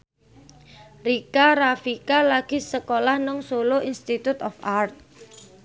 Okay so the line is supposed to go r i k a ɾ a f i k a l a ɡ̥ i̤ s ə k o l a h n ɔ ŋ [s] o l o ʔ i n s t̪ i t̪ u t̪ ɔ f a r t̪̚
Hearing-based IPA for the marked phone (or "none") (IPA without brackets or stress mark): s